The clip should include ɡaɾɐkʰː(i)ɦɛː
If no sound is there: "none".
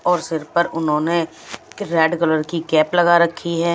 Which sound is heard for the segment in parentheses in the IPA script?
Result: i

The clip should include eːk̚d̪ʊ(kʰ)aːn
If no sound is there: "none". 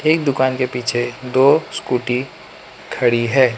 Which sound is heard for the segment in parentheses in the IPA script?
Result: k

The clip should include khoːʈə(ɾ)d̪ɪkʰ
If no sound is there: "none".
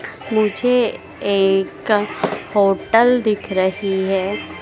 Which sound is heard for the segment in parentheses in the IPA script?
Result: l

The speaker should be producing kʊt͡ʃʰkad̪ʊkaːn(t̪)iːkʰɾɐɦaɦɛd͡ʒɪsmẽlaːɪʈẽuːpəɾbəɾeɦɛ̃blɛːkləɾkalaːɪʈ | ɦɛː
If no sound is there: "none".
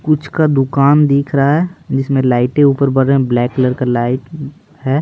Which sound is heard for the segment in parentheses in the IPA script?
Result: d̪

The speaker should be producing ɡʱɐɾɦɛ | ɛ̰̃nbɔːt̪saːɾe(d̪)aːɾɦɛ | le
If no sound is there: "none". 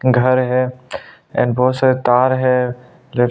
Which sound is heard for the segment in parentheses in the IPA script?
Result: t̪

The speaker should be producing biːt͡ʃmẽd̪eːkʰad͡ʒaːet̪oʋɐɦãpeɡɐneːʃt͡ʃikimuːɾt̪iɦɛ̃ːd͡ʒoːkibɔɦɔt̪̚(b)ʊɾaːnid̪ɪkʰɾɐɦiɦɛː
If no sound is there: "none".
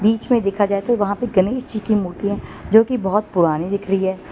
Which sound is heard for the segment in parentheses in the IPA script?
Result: p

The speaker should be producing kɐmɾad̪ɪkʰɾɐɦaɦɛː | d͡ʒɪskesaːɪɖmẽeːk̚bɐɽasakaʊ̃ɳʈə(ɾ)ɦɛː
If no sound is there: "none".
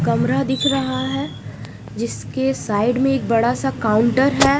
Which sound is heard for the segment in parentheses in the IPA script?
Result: ɾ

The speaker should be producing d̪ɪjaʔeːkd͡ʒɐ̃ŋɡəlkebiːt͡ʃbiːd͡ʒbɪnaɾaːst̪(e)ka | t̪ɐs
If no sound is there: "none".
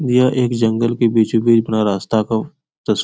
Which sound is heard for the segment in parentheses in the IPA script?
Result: a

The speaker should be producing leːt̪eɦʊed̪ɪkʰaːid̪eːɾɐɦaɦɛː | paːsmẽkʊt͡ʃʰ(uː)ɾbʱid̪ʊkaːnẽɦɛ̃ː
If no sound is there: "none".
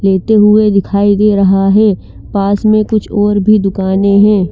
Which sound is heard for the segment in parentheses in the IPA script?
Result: ɔː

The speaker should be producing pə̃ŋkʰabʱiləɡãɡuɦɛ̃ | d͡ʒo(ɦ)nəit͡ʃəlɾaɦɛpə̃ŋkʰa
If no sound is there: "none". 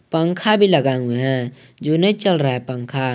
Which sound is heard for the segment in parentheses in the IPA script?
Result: none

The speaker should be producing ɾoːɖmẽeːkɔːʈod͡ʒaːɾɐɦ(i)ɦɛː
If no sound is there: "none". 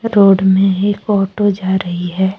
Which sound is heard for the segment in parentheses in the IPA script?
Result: i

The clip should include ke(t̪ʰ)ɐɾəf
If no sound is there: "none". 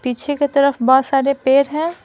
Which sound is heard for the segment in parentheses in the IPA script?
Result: t̪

